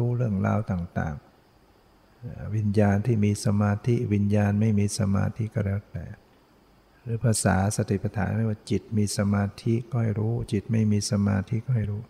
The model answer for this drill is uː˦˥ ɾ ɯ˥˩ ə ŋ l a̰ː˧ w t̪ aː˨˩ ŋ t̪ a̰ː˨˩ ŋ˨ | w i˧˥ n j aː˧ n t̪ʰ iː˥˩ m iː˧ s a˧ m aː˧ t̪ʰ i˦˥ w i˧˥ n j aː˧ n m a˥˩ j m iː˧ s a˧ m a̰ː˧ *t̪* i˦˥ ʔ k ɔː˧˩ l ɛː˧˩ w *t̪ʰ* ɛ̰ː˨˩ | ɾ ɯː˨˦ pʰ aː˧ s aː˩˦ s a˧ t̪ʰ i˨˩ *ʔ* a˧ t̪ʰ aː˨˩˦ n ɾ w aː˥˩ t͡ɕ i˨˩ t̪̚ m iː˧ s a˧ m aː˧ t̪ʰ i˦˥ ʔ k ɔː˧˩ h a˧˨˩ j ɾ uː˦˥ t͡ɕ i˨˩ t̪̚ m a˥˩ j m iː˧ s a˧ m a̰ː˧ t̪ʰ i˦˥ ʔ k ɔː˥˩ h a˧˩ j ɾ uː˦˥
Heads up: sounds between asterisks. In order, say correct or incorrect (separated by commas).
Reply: incorrect, incorrect, incorrect